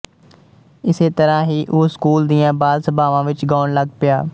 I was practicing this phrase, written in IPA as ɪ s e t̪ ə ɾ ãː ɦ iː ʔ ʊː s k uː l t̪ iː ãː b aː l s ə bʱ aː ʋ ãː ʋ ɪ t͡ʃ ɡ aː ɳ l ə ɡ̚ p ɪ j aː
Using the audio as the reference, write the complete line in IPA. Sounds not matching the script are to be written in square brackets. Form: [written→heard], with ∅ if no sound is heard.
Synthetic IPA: ɪ s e t̪ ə ɾ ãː ɦ iː ʔ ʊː s k uː l [t̪→d̪] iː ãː b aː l s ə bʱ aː ʋ ãː ʋ ɪ t͡ʃ ɡ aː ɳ l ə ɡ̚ p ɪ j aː